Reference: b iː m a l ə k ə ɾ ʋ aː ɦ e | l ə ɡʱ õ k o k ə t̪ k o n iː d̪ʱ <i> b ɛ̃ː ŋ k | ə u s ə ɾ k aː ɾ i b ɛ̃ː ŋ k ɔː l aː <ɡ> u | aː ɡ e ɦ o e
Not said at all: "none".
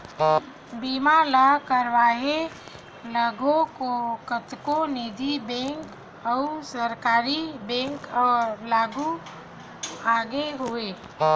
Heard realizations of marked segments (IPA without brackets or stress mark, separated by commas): i, ɡ